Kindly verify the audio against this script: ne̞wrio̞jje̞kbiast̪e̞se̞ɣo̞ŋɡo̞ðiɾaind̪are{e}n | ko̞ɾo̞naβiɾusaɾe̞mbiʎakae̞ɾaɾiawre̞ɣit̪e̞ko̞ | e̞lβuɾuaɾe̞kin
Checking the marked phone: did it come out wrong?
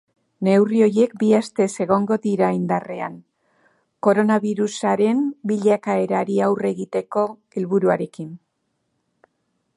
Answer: yes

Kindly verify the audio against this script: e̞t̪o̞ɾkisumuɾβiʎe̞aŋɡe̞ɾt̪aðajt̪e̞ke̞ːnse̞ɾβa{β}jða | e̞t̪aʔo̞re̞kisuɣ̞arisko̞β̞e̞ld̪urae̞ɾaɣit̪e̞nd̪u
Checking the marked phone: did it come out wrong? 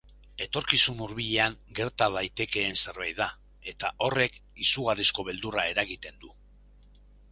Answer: yes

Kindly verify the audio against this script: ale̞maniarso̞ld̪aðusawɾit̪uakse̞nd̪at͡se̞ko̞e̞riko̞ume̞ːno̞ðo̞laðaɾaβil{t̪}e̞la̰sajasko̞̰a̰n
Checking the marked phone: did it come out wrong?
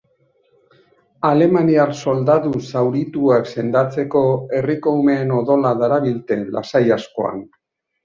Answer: no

